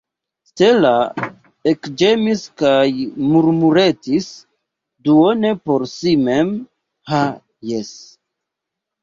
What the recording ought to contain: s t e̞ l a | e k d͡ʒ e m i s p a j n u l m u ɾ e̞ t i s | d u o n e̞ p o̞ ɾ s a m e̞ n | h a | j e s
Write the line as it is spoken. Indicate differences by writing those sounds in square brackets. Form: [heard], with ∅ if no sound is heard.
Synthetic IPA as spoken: s t e̞ l a | e k d͡ʒ e m i s [k] a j [m] u [ɾ] m u ɾ e̞ t i s | d u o n e̞ p o̞ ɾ s [i] m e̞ [m] | h a | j e s